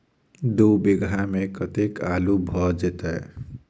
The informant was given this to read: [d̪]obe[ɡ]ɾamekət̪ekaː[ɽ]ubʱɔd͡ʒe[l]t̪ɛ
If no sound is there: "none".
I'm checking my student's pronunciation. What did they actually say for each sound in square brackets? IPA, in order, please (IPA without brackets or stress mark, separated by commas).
d̪, ɡ, l, none